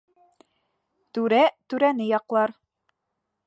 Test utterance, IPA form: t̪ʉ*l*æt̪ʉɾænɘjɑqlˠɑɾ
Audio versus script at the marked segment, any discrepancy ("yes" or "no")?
yes